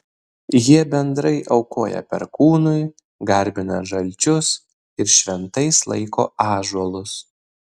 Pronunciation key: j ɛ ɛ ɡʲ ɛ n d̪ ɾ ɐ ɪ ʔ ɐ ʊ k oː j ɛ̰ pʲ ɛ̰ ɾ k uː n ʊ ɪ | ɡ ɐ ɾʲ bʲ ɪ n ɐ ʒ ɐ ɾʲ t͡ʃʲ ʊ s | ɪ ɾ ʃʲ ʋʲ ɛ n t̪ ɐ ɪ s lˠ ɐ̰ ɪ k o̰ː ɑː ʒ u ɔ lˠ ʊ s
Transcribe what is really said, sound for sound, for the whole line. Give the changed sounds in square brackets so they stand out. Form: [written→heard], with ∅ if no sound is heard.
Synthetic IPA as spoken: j [ɛ→i] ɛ [ɡʲ→bʲ] ɛ n d̪ ɾ ɐ ɪ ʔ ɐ ʊ k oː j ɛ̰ pʲ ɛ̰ ɾ k uː n ʊ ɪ | ɡ ɐ ɾʲ bʲ ɪ n ɐ ʒ ɐ [ɾʲ→lʲ] t͡ʃʲ ʊ s | ɪ ɾ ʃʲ ʋʲ ɛ n t̪ ɐ ɪ s lˠ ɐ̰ ɪ k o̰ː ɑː ʒ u ɔ lˠ ʊ s